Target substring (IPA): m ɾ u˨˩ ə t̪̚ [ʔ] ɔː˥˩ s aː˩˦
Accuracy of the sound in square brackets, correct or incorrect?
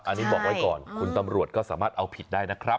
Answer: incorrect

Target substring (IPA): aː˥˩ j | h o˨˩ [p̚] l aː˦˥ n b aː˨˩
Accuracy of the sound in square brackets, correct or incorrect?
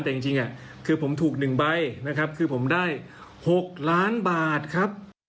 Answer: incorrect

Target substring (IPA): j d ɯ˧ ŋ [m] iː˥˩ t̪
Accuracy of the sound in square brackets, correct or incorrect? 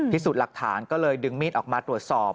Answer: correct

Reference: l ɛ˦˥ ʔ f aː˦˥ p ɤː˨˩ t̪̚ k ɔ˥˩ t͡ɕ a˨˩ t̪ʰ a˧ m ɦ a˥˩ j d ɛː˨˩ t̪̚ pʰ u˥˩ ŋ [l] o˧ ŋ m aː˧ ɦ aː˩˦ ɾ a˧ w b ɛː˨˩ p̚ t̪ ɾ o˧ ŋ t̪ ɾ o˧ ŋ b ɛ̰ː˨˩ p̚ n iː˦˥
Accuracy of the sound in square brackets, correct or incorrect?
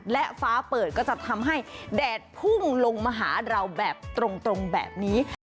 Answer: correct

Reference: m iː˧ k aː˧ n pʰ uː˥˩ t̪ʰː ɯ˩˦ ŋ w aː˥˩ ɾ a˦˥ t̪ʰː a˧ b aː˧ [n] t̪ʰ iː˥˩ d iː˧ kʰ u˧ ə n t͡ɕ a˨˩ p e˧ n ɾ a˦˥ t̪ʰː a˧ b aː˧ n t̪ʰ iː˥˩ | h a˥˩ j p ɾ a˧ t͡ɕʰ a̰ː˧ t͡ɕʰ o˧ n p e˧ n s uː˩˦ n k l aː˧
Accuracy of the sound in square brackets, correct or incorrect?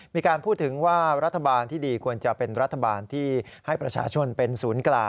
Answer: correct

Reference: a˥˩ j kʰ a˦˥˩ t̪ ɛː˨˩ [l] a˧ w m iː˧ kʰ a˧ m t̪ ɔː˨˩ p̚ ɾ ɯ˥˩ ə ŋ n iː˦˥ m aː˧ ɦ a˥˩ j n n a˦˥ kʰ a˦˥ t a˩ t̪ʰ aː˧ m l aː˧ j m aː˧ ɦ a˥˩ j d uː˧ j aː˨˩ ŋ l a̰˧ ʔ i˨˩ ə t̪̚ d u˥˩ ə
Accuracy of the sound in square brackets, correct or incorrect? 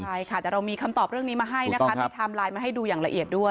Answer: incorrect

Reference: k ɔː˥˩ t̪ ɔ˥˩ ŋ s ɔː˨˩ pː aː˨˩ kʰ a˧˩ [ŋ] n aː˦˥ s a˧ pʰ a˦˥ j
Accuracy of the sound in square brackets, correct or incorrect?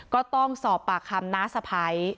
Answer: incorrect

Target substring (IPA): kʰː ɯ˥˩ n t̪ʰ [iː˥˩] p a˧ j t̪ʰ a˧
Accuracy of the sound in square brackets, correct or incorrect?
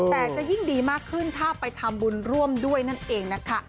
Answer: incorrect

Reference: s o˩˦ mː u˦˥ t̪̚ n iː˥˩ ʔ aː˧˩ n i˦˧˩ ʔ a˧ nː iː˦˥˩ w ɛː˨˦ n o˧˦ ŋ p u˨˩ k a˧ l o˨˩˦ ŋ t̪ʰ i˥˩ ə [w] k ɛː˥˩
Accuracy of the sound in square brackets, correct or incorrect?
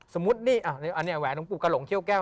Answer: correct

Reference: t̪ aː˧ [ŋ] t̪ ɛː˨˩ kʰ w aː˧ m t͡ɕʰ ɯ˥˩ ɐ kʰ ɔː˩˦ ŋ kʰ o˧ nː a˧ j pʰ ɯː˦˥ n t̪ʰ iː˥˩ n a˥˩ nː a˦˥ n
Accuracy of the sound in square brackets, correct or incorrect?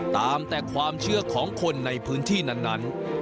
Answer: incorrect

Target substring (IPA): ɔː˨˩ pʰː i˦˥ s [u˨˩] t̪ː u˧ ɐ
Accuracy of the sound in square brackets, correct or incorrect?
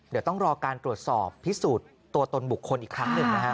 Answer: incorrect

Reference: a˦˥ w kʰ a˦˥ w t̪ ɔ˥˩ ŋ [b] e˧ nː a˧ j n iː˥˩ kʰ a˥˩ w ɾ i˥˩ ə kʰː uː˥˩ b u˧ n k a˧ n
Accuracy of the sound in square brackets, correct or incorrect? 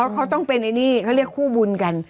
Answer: incorrect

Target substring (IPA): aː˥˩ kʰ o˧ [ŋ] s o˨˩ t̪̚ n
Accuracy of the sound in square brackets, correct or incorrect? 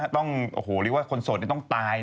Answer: incorrect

